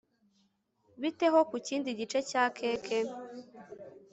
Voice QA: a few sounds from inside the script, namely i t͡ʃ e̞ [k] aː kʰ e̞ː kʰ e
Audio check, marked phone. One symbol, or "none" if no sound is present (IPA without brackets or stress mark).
c